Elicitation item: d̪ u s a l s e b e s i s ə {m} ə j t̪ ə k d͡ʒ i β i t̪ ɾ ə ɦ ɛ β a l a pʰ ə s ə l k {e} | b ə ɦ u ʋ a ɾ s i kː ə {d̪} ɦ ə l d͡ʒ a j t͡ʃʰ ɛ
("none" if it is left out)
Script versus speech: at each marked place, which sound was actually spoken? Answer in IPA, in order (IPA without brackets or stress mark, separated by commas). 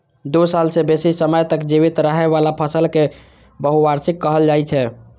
m, e, none